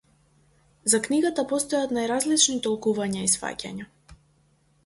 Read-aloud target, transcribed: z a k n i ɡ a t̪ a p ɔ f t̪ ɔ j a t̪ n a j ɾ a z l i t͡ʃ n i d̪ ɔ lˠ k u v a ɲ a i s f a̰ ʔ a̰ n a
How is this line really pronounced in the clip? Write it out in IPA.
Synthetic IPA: z a k n i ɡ a t̪ a p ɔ s t̪ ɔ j a t̪ n a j ɾ a z l i t͡ʃ n i t̪ ɔ lˠ k u v a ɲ a i s f a̰ c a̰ ɲ a